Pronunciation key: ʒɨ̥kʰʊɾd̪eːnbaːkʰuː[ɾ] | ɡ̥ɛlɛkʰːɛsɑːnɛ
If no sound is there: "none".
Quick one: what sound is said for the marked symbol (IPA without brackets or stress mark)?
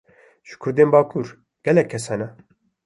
ɾ